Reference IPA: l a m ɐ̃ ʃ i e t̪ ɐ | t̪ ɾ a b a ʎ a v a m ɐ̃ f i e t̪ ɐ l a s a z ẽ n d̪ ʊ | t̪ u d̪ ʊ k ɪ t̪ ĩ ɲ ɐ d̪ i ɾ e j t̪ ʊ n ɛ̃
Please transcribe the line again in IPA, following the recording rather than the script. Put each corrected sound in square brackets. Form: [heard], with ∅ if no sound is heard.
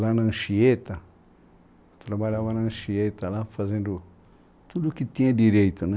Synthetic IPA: l a [n] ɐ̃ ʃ i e t̪ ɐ | t̪ ɾ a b a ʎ a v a [n] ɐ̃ [ʃ] i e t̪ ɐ l a [f] a z ẽ n d̪ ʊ | t̪ u d̪ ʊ k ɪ t̪ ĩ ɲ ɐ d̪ i ɾ e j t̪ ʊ n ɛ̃